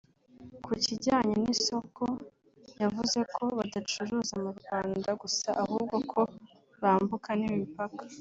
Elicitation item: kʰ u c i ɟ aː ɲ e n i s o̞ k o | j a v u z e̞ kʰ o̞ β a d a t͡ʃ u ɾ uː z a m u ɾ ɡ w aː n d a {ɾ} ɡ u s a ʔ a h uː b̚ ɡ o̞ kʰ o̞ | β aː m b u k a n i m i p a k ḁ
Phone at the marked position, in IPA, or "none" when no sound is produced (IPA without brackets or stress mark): none